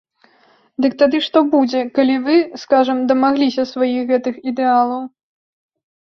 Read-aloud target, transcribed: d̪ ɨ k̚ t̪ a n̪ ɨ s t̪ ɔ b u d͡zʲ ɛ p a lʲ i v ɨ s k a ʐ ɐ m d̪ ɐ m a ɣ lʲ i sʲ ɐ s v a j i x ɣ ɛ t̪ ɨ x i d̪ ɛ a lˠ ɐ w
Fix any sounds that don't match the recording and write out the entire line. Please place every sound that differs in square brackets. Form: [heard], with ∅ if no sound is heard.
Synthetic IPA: d̪ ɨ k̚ t̪ a [d̪] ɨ [ʂ] t̪ ɔ b u d͡zʲ ɛ [k] a lʲ i v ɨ s k a ʐ ɐ m d̪ ɐ m a ɣ lʲ i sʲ ɐ s v a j i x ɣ ɛ t̪ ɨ x i d̪ ɛ a lˠ ɐ w